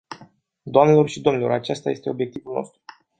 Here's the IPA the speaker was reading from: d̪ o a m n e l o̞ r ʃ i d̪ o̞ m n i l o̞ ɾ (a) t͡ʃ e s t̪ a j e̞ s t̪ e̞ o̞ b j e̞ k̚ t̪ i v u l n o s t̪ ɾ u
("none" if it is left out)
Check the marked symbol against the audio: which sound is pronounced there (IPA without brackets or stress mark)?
a